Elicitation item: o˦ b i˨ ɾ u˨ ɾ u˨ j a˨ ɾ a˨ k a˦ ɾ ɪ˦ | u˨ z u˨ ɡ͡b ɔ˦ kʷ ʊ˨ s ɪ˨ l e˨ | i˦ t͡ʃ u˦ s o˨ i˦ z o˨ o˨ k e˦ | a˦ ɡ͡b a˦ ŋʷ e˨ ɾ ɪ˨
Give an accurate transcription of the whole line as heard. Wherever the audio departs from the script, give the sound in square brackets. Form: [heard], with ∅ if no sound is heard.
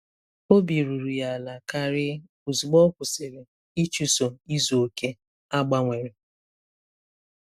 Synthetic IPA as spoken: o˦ b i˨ ɾ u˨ ɾ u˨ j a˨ [l] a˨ k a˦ ɾ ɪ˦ | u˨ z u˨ ɡ͡b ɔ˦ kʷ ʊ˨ s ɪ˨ [ɾ] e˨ | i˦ t͡ʃ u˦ s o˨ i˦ z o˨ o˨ k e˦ | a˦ ɡ͡b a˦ ŋʷ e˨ ɾ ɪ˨